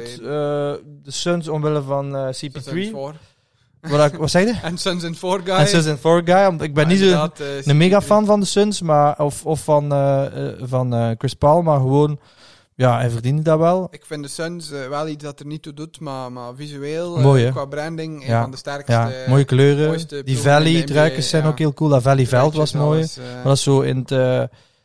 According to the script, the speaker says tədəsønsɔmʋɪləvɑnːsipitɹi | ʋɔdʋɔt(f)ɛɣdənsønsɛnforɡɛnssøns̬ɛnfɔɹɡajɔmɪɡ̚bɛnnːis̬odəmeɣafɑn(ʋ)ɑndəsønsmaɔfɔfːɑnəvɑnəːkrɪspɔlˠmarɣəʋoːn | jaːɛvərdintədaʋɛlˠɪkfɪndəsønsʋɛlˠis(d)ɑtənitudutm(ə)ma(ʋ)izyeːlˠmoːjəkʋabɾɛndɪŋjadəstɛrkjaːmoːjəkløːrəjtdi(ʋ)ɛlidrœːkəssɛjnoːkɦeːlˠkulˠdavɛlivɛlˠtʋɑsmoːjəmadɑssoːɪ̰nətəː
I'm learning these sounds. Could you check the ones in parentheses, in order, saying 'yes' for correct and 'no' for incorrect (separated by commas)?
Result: no, no, yes, no, no, no